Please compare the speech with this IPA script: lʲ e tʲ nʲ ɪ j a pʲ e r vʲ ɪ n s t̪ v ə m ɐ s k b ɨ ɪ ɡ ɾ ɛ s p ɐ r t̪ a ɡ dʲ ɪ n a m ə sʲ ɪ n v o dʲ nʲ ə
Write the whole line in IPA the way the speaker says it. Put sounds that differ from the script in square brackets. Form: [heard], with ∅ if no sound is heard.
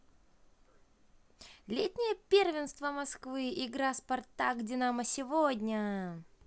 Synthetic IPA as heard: lʲ e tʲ nʲ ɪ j [ə] pʲ e r vʲ ɪ n s t̪ v ə m ɐ s k [v] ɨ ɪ ɡ ɾ [a] s p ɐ r t̪ a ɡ dʲ ɪ n a m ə sʲ ɪ [∅] v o dʲ nʲ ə